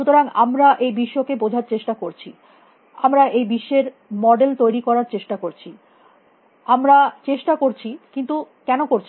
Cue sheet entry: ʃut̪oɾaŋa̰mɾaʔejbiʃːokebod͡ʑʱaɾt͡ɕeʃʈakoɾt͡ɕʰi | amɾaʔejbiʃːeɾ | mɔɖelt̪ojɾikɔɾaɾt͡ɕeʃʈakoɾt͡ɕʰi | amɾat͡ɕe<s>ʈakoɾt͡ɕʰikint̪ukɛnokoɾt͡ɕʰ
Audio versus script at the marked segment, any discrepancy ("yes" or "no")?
yes